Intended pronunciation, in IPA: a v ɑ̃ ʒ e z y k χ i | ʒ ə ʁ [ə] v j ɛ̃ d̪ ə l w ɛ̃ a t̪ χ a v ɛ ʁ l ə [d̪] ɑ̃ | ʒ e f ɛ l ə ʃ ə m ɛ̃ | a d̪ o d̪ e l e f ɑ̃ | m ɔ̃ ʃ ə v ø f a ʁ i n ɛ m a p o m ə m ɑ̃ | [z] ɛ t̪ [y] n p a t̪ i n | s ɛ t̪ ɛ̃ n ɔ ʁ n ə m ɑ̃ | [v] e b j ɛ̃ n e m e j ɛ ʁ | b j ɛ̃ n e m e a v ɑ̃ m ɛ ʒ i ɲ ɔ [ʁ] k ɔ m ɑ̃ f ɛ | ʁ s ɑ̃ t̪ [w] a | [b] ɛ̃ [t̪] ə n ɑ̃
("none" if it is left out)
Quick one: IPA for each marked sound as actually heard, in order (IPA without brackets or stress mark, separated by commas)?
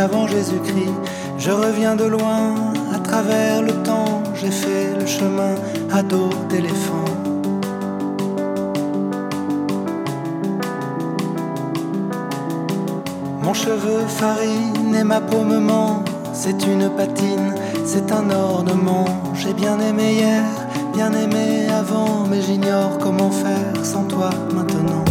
ə, t̪, s, y, ʒ, ʁ, w, m, t̪